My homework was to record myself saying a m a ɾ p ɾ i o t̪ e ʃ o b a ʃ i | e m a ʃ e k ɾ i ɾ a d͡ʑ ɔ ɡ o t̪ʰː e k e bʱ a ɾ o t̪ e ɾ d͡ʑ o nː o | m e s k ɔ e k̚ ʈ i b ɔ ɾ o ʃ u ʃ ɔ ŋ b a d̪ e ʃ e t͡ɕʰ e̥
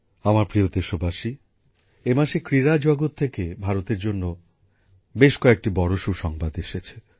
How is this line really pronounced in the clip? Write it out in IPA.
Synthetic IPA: a m a ɾ p ɾ i o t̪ e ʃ o b a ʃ i | e m a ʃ e k ɾ i ɾ a d͡ʑ ɔ ɡ o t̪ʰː e k e bʱ a ɾ o t̪ e ɾ d͡ʑ o nː o | b e ʃ k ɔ e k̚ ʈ i b ɔ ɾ o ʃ u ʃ ɔ ŋ b a d̪ e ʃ e t͡ɕʰ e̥

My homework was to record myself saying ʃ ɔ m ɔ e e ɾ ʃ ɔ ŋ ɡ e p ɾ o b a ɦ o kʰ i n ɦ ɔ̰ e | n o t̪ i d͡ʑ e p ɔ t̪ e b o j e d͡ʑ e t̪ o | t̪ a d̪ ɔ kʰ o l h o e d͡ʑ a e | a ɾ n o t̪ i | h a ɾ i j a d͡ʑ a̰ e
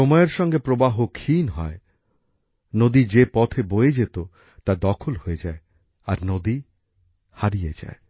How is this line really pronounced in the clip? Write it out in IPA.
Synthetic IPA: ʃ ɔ m ɔ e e ɾ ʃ ɔ ŋ ɡ e p ɾ o b a ɦ o kʰ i n ɦ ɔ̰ e | n o d̪ i d͡ʑ e p ɔ t̪ʰ e b o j e d͡ʑ e t̪ o | t̪ a d̪ ɔ kʰ o l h o e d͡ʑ a e | a ɾ n o d̪ i | h a ɾ i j e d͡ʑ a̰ e

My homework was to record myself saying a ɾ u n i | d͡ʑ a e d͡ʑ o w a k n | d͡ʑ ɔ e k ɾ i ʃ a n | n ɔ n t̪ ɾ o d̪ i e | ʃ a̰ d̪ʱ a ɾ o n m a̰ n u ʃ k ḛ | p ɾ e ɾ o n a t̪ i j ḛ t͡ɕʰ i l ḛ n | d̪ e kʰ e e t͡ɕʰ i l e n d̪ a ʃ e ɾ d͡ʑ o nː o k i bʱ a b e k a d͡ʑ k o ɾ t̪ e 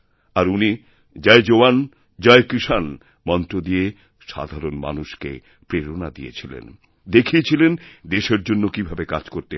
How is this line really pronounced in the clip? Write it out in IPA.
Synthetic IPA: a ɾ u n i | d͡ʑ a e d͡ʑ o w a n | d͡ʑ ɔ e k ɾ i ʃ a n | m ɔ n t̪ ɾ o d̪ i e | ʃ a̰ d̪ʱ a ɾ o n m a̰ n u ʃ k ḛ | p ɾ e ɾ o n a d̪ i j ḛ t͡ɕʰ i l ḛ n | d̪ e kʰ i e t͡ɕʰ i l e n d̪ e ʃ e ɾ d͡ʑ o nː o k i bʱ a b e k a d͡ʑ k o ɾ t̪ e

